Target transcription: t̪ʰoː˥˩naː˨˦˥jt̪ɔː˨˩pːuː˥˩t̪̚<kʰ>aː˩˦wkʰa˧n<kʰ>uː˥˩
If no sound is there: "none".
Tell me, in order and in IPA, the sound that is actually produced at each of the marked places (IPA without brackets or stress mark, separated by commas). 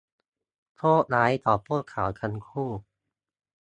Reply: kʰ, kʰ